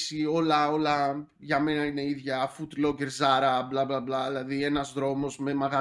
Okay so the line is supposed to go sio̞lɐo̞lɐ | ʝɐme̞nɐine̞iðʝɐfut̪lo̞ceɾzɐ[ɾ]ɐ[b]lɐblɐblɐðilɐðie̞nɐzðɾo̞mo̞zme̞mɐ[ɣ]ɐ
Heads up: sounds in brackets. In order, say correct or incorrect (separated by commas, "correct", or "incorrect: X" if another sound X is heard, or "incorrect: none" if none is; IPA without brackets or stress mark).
correct, correct, correct